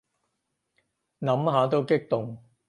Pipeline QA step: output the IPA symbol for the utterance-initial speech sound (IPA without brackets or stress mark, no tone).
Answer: n